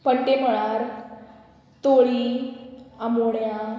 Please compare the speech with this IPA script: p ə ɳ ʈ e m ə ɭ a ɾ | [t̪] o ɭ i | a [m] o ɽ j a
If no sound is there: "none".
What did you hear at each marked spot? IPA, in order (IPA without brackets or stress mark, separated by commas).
t̪, m